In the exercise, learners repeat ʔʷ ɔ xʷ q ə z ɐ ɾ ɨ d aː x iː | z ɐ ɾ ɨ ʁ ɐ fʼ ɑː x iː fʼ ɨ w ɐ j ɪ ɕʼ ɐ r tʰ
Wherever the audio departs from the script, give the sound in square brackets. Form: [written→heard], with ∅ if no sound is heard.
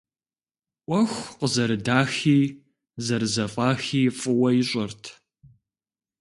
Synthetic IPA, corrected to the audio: ʔʷ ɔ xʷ q ə z ɐ ɾ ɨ d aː x iː | z ɐ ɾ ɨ [ʁ→z] ɐ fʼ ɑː x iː fʼ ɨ w ɐ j ɪ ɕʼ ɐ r tʰ